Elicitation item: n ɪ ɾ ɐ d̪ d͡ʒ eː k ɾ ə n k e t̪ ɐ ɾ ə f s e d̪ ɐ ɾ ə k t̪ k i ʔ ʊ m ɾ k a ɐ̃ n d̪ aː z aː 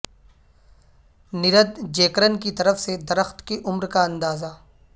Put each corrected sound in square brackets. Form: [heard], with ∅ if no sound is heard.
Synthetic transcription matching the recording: n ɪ ɾ [ə] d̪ d͡ʒ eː k ɾ ə n k [i] t̪ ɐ ɾ ə f s e d̪ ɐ ɾ ə [x] t̪ k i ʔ ʊ m ɾ k a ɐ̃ n d̪ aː z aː